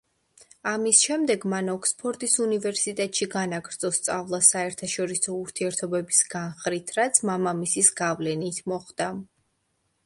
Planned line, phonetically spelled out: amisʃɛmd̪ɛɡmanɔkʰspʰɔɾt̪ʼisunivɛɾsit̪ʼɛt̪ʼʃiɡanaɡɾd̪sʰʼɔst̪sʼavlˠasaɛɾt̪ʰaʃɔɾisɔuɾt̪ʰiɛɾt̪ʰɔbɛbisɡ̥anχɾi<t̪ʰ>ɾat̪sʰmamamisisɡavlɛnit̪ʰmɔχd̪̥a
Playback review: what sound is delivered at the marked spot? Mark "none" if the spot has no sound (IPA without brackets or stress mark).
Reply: t̪ʰ